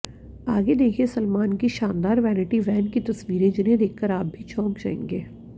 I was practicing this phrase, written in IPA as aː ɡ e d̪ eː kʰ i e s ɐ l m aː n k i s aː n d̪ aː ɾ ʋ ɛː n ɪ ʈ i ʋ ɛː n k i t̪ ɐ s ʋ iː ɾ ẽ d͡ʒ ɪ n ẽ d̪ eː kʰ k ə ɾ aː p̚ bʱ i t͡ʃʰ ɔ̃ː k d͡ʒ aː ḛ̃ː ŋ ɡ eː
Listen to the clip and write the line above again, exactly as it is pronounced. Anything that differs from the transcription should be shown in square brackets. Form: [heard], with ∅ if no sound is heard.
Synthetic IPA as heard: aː ɡ e d̪ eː kʰ i e s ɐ l m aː n k i [ʃ] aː n d̪ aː ɾ ʋ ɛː n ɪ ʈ i ʋ ɛː n k i t̪ ɐ s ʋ iː ɾ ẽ d͡ʒ ɪ n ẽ d̪ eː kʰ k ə ɾ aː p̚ bʱ i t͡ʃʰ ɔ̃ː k d͡ʒ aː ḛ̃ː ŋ ɡ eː